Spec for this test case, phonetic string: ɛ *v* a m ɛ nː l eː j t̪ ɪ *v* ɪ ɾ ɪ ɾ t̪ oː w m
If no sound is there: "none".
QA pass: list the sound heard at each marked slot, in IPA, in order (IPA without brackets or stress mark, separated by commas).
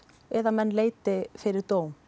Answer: ð, f